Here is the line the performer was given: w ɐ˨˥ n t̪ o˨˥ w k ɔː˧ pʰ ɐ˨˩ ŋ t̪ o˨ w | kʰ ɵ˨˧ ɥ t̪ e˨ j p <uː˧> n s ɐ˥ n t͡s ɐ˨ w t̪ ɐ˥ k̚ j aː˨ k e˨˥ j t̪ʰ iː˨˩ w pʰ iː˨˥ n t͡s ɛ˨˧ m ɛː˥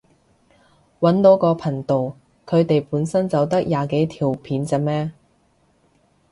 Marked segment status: incorrect: uː˨˥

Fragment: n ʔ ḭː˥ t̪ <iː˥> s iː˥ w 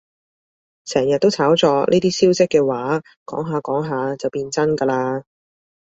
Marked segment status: correct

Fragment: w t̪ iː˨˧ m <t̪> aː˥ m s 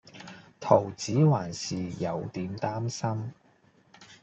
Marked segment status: correct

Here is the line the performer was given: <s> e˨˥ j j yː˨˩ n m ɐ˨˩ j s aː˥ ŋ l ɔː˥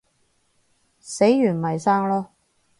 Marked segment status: correct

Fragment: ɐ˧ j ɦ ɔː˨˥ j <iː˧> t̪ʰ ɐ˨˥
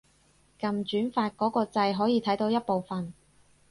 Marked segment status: correct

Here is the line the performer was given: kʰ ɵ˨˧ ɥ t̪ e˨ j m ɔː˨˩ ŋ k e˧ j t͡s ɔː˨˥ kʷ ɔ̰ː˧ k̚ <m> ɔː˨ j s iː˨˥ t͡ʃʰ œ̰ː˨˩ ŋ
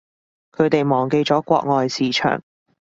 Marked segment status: incorrect: ŋ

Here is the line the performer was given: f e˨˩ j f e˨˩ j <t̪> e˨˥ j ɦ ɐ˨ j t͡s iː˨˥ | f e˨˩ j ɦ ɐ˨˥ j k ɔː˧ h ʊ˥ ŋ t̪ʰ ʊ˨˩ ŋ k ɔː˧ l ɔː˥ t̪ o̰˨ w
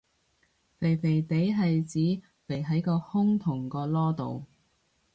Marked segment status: correct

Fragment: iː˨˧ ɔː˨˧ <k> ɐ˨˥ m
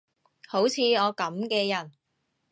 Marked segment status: correct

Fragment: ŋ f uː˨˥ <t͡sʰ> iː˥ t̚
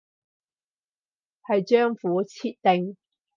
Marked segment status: correct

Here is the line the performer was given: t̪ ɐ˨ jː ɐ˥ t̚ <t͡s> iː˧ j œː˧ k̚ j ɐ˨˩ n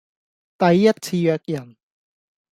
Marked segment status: incorrect: t͡sʰ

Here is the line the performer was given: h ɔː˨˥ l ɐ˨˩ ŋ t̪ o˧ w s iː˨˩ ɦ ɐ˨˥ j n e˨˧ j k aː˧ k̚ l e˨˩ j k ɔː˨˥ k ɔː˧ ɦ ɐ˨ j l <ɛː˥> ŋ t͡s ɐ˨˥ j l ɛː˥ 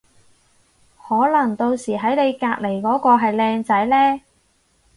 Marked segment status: incorrect: ɛː˧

